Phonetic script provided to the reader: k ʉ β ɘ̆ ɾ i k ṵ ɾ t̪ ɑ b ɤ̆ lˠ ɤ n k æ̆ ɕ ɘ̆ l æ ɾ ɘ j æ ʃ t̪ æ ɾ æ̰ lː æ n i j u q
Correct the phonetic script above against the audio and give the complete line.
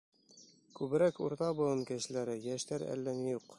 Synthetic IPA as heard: k ʉ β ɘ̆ ɾ æ k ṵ ɾ t̪ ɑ b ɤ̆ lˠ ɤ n k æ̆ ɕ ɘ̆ l æ ɾ ɘ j æ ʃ t̪ æ ɾ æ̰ lː æ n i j u q